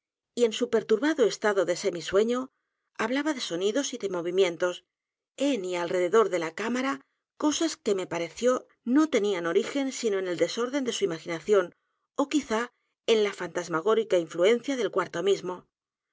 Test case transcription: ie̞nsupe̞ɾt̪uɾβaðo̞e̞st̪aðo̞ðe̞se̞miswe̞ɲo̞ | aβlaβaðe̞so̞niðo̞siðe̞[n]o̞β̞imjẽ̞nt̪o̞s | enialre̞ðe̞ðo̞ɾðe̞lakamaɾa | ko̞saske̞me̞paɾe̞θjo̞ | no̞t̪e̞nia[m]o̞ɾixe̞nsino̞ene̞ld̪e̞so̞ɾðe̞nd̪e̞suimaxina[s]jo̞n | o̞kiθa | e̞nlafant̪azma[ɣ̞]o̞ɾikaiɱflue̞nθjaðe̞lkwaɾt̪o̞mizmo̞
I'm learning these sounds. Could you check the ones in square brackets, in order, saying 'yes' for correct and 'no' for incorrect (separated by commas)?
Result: no, no, no, yes